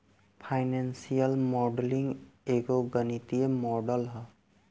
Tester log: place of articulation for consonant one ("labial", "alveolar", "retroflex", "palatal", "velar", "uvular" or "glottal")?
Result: labial